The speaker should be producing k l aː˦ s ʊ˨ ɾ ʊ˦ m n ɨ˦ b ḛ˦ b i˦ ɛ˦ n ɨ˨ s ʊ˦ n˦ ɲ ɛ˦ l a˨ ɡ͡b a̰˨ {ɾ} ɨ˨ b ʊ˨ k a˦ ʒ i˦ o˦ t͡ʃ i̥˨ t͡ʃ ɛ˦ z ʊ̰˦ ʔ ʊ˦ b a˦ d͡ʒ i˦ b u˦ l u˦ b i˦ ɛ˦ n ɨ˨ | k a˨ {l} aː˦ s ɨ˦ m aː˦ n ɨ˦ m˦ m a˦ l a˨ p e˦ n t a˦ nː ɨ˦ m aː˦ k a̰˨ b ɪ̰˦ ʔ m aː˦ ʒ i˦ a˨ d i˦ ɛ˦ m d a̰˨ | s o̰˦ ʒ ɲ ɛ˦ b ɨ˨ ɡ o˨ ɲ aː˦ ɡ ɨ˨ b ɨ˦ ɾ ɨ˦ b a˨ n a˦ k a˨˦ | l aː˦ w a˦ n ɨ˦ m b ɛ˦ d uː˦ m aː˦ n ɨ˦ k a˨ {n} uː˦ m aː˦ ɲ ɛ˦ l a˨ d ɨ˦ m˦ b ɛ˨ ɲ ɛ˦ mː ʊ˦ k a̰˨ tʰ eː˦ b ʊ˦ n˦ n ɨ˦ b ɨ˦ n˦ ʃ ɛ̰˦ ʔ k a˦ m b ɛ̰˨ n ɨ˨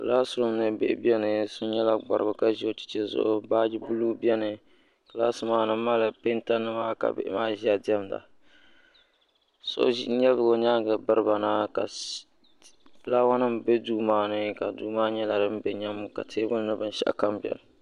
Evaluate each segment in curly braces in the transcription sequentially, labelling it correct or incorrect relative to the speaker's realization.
correct, correct, incorrect: d

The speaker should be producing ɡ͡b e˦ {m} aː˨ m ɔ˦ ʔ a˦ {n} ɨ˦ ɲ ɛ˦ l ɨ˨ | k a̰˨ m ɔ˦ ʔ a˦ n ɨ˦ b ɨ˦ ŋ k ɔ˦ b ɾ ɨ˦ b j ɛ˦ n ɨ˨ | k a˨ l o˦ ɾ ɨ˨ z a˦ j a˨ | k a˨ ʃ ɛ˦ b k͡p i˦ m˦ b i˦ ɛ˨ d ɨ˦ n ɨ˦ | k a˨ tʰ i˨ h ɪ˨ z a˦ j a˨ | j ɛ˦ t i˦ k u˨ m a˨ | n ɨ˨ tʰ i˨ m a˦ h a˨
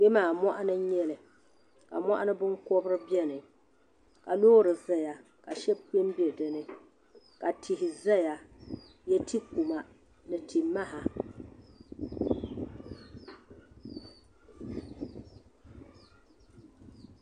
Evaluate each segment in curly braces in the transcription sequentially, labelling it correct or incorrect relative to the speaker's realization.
correct, correct

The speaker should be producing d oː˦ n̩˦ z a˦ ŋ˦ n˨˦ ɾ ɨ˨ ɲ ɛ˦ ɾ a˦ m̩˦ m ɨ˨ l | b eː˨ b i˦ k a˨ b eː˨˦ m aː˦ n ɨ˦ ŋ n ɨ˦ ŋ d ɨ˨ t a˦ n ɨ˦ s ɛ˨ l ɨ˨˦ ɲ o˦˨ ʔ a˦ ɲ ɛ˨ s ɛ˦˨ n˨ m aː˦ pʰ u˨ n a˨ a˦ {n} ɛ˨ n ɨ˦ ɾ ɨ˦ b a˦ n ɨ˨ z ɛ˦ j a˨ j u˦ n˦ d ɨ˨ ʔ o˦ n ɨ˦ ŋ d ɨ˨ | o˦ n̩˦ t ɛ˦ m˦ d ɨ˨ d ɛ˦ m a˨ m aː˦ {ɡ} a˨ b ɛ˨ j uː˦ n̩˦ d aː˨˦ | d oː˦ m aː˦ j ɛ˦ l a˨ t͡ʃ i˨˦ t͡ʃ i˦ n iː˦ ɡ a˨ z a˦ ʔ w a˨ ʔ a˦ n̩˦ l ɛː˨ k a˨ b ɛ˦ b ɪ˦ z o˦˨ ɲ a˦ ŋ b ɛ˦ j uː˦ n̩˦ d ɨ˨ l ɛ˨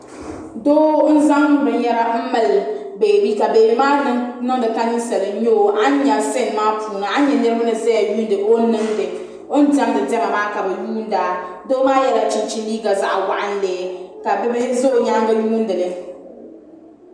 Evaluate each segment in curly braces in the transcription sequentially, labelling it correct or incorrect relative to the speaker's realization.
incorrect: ɲ, incorrect: k

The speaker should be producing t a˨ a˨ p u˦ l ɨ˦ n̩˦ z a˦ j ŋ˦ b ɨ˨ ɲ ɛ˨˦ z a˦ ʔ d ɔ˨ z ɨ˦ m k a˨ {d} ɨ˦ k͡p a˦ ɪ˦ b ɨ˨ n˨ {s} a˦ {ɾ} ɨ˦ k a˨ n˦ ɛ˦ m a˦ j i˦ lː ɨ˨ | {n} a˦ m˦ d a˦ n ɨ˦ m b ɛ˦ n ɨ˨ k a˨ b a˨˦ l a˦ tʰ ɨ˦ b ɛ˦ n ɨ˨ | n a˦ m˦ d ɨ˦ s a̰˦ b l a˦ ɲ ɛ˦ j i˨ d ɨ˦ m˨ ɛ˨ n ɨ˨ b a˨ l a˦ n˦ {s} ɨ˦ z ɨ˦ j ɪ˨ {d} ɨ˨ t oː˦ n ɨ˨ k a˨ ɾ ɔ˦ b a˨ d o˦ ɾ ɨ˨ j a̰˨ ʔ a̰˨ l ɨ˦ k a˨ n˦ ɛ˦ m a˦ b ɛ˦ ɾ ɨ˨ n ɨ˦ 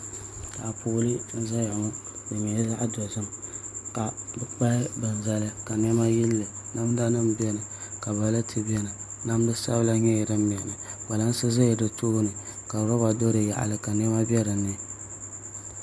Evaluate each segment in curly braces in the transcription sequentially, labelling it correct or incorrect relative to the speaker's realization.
incorrect: b, incorrect: z, incorrect: l, correct, correct, correct

